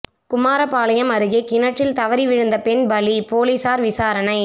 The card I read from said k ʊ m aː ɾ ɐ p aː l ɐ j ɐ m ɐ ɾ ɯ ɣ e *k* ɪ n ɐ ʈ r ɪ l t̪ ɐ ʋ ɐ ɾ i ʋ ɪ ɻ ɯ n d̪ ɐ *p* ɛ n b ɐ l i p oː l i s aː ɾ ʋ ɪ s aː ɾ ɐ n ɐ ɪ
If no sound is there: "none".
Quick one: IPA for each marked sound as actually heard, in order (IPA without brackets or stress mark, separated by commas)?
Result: k, p